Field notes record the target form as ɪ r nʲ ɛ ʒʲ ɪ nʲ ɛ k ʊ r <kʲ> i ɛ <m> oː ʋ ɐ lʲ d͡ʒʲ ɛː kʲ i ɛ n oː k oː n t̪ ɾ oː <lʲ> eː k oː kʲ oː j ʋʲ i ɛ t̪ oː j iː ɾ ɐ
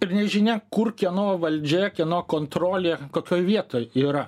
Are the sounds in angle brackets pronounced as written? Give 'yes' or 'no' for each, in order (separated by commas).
yes, no, yes